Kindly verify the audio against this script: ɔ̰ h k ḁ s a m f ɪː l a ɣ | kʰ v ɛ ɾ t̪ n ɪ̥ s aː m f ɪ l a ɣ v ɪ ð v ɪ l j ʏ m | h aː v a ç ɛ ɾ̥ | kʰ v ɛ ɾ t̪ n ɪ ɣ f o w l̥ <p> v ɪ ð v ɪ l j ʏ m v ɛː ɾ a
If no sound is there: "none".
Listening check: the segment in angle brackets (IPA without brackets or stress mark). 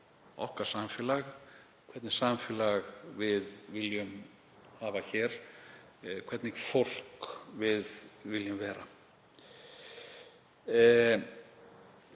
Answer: k